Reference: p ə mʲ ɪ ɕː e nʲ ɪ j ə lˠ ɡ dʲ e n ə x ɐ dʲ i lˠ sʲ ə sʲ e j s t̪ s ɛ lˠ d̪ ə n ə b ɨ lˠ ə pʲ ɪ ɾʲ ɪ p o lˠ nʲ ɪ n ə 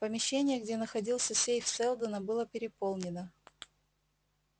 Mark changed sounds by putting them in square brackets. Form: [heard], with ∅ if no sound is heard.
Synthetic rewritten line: p ə mʲ ɪ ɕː e nʲ ɪ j ə [∅] ɡ dʲ e n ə x ɐ dʲ i lˠ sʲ ə sʲ e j [f] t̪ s ɛ lˠ d̪ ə n ə b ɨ lˠ ə pʲ ɪ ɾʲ ɪ p o lˠ nʲ ɪ n ə